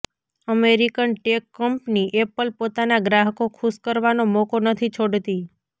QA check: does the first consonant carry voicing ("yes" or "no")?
yes